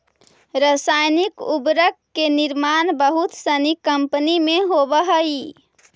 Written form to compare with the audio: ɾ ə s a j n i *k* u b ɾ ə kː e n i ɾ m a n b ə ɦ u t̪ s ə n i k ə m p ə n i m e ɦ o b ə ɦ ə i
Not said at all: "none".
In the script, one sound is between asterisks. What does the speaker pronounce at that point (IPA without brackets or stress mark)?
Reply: k